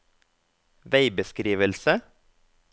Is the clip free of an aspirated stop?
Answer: yes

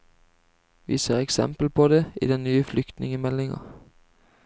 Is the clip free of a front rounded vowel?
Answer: no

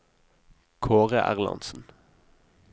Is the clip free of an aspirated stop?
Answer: no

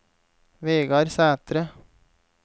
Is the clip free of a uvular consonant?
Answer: yes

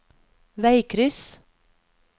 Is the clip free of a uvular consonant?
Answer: yes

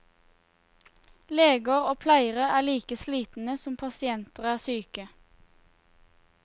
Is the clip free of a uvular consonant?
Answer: no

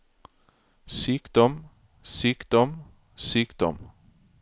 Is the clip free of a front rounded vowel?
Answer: no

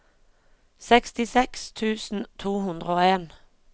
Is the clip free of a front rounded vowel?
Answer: yes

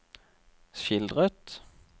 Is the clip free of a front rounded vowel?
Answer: yes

